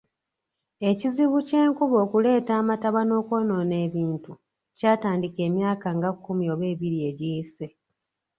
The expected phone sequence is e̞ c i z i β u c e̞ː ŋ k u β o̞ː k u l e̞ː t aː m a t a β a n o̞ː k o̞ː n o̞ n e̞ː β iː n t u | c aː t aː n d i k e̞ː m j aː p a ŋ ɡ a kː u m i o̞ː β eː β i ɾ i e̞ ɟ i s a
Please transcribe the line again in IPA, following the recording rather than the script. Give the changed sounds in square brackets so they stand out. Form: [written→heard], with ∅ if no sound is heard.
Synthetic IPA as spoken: e̞ c i z i β u c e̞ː ŋ k u β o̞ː k u l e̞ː t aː m a t a β a n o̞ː k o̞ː n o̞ n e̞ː β iː n t u | c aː t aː n d i k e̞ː m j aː [p→k] a ŋ ɡ a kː u m i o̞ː β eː β i ɾ i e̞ ɟ i s [a→e]